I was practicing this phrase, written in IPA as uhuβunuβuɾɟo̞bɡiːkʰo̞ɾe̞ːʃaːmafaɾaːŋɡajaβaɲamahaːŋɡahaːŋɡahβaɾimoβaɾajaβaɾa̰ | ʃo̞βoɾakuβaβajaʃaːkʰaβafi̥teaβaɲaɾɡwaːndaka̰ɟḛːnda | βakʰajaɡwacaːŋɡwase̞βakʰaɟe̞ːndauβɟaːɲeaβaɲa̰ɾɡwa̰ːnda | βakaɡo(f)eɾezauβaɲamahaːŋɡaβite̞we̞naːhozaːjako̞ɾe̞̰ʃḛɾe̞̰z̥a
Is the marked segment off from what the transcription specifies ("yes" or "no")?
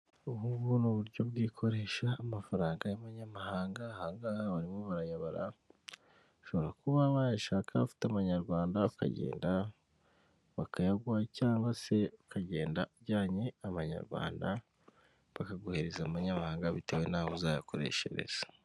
yes